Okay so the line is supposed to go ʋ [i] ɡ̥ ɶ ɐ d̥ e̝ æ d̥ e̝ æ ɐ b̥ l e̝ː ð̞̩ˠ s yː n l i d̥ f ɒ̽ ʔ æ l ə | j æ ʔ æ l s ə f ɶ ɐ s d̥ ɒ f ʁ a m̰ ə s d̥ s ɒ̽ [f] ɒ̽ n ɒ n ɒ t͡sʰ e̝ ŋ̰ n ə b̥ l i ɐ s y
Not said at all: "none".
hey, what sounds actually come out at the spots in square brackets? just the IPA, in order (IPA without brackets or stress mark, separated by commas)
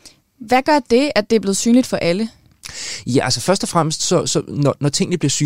æ, s